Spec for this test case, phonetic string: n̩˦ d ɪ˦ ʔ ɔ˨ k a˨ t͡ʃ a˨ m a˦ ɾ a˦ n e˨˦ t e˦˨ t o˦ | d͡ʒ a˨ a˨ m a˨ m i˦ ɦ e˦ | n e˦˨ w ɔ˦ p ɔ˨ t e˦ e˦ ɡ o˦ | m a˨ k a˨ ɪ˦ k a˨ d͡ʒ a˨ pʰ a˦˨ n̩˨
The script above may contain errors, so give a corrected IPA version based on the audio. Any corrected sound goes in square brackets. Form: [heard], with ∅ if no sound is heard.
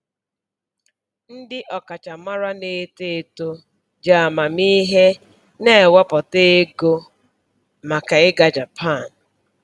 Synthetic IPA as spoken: n̩˦ d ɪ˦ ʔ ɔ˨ k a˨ t͡ʃ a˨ m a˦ ɾ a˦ n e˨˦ t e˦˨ t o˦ | d͡ʒ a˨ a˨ m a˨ m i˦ ɦ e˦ | n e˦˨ w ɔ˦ p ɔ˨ t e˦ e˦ ɡ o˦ | m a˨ k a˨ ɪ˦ [ɡ] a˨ d͡ʒ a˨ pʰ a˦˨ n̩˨